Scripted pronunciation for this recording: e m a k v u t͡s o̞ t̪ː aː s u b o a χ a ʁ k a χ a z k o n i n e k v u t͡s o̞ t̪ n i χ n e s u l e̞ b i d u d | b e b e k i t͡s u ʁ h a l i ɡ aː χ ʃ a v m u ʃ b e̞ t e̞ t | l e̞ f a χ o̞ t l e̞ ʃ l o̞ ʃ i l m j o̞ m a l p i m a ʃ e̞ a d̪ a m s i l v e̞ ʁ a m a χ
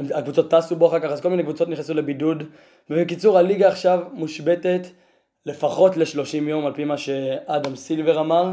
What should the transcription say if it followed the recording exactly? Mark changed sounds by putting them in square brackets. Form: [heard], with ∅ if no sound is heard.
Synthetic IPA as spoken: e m a k v u t͡s o̞ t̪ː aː s u b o a χ a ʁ k a χ a z k o [m] i n e k v u t͡s o̞ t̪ n i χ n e s u l e̞ b i d u d | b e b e k i t͡s u ʁ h a l i ɡ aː χ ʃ a v m u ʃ b e̞ t e̞ t | l e̞ f a χ o̞ t l e̞ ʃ l o̞ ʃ i [∅] m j o̞ m a l p i m a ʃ e̞ a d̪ a m s i l v e̞ ʁ a m a [ʁ]